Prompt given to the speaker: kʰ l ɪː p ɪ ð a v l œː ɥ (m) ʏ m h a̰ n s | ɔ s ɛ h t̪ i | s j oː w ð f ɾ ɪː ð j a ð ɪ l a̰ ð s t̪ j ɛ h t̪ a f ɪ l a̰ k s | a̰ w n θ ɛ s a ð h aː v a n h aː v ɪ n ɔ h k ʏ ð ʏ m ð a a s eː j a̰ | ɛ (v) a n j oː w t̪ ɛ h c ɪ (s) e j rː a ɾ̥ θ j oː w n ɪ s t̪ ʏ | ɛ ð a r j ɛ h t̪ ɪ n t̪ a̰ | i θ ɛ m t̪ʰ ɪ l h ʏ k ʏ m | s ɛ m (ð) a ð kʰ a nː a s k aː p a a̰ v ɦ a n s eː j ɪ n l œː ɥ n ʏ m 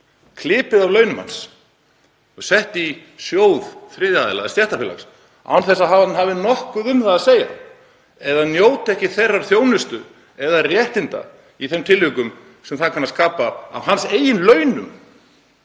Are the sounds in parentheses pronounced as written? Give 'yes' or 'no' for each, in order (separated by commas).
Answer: no, no, no, no